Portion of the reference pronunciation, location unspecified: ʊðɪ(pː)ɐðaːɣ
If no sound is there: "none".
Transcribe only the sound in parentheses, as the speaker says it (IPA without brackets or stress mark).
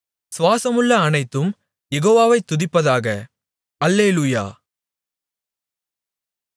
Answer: pː